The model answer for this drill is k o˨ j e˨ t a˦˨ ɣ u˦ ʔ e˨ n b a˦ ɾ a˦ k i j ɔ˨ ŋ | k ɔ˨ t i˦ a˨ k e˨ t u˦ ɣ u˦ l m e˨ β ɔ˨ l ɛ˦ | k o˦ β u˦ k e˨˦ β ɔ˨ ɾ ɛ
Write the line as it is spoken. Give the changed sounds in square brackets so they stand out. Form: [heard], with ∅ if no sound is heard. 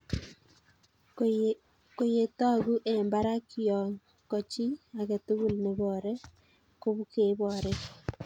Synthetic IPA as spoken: k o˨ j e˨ t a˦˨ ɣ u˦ ʔ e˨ [m] b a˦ ɾ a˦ k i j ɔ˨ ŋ | k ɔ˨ [t͡ʃ] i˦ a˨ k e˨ t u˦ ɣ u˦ l [n] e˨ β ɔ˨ [ɾ] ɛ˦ | k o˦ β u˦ k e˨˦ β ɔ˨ ɾ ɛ